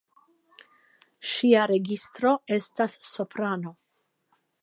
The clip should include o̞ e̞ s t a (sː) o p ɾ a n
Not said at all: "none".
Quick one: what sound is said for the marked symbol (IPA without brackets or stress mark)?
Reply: sː